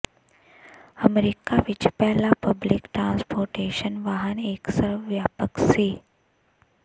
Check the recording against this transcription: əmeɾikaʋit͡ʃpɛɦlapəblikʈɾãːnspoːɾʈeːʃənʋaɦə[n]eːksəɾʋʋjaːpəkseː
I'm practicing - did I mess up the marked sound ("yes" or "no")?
no